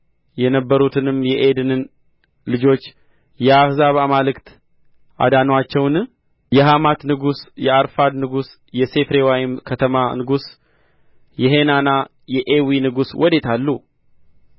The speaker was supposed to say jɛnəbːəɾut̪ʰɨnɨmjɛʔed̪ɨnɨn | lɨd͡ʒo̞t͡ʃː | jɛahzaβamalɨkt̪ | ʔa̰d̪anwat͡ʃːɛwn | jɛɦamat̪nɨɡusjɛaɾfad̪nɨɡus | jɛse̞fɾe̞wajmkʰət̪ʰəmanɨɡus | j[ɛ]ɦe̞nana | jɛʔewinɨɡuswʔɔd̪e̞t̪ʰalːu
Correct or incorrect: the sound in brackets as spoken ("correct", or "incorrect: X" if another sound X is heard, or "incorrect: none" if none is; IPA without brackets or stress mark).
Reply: correct